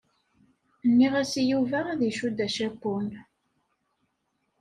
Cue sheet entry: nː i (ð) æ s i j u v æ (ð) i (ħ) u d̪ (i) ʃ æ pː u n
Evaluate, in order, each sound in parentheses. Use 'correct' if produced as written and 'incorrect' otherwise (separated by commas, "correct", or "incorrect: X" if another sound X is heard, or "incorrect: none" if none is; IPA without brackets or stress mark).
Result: incorrect: ʁ, correct, incorrect: ʃ, incorrect: æ